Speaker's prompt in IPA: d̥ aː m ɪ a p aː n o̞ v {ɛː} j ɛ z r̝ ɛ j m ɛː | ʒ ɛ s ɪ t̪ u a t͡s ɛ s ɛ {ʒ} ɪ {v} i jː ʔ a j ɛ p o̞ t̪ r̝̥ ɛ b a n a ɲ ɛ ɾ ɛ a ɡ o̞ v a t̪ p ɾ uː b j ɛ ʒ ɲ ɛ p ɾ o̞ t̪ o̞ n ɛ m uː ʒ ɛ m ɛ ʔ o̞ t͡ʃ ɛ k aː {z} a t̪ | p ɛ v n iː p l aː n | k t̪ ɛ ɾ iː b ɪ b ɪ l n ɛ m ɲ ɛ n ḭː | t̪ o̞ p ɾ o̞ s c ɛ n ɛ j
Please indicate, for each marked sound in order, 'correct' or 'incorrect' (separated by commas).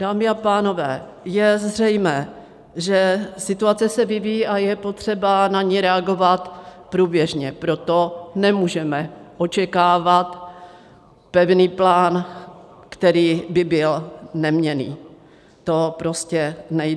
correct, incorrect, correct, incorrect